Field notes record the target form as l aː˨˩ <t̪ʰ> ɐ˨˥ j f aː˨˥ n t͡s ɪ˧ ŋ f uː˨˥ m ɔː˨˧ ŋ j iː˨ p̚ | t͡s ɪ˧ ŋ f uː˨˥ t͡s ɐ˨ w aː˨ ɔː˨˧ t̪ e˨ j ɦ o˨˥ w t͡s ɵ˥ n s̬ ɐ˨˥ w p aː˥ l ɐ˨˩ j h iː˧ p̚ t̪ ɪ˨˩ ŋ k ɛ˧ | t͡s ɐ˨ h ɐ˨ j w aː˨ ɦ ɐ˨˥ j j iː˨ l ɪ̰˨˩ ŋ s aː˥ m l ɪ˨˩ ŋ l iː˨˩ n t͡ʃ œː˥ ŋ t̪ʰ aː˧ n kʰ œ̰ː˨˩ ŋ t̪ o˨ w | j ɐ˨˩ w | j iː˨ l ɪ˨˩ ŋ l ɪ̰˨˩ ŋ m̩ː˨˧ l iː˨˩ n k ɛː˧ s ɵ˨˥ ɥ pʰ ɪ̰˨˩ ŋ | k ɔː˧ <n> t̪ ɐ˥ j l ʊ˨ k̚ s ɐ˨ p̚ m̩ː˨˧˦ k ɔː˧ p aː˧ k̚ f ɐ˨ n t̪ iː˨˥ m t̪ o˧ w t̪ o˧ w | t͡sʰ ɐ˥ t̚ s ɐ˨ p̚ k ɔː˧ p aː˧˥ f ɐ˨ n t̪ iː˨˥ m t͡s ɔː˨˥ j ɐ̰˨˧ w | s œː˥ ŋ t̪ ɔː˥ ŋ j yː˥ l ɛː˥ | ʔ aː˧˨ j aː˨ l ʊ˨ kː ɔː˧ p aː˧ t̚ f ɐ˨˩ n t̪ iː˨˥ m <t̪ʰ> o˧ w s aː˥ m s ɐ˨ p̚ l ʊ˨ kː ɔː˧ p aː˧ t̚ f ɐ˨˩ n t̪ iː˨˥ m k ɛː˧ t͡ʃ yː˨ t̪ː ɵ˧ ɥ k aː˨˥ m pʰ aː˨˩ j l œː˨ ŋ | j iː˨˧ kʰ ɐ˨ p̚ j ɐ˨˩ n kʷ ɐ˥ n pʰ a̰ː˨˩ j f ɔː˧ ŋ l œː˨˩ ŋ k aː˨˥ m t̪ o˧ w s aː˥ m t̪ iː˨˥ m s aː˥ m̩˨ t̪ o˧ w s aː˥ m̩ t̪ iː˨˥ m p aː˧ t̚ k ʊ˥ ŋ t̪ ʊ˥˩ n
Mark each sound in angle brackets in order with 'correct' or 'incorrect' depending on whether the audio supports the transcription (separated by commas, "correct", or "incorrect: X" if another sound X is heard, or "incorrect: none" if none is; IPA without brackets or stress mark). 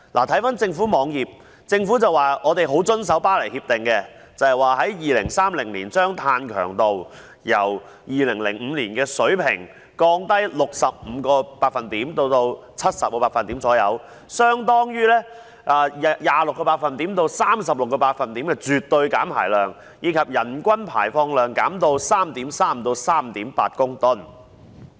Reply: correct, incorrect: ŋ, incorrect: t̪